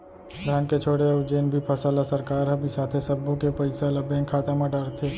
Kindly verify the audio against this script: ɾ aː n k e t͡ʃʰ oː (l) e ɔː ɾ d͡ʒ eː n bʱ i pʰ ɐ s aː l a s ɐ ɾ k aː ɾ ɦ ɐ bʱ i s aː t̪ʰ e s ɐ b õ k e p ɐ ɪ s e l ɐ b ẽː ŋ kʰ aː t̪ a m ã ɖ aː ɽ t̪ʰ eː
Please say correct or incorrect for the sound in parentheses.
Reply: incorrect